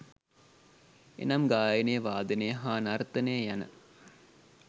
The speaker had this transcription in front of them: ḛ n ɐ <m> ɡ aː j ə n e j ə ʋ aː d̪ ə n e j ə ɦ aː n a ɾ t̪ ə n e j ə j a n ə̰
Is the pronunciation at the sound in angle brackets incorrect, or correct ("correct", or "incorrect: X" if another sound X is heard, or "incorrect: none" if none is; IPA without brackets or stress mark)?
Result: correct